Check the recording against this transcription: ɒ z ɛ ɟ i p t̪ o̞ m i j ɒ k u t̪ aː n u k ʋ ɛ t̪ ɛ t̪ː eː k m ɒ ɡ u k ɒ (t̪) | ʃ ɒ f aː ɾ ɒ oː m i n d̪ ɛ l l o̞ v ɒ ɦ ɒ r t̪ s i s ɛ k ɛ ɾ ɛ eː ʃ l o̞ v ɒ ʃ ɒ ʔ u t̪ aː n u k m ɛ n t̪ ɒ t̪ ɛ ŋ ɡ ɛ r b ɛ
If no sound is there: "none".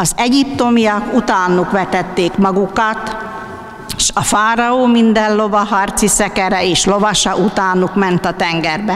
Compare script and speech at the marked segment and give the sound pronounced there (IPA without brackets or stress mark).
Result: t̪